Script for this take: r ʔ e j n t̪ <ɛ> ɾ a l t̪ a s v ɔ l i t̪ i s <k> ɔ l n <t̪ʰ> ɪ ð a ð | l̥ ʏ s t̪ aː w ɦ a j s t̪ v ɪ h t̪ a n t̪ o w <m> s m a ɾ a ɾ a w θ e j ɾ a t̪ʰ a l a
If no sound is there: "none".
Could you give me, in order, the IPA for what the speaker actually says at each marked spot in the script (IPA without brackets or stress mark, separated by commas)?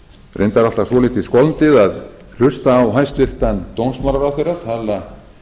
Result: a, k, t̪, n